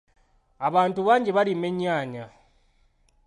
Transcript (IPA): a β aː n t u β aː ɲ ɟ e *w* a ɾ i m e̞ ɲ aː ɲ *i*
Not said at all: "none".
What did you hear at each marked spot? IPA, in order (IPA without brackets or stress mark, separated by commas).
β, a